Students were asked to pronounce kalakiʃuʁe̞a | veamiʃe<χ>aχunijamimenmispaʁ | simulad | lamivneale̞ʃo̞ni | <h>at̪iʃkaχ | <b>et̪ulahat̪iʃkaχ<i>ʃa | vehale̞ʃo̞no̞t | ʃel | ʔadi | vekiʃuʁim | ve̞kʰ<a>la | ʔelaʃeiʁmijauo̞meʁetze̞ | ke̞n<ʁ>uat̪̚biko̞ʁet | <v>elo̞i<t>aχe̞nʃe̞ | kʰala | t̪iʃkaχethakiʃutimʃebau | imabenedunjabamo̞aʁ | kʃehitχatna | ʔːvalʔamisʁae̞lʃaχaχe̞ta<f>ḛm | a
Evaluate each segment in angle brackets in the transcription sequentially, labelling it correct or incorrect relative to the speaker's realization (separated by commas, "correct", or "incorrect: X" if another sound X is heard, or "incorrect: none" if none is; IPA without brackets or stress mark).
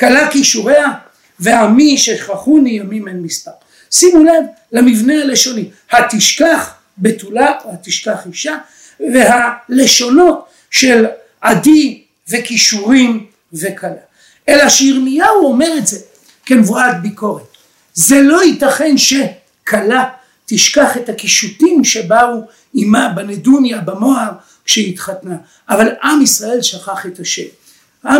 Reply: correct, correct, correct, correct, correct, incorrect: v, incorrect: z, correct, incorrect: ʃ